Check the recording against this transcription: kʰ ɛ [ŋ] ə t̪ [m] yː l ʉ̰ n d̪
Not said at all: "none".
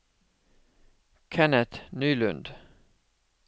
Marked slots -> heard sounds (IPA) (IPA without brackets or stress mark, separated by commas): n, n